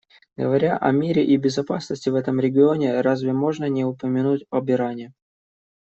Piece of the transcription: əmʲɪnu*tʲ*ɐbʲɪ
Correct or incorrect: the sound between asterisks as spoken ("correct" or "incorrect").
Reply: correct